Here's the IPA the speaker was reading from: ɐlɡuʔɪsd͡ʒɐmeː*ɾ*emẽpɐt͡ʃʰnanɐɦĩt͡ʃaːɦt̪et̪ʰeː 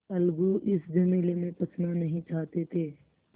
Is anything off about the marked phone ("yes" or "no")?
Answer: yes